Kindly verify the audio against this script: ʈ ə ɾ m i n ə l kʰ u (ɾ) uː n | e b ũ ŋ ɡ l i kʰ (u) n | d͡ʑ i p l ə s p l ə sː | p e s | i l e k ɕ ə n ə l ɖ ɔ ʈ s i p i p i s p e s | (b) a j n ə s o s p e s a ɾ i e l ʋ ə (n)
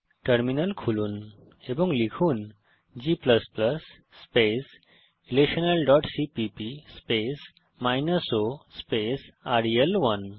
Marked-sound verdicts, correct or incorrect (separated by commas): incorrect, incorrect, incorrect, correct